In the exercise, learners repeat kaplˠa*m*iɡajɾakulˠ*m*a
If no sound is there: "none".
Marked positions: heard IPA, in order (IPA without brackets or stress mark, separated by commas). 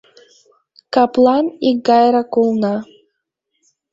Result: n, n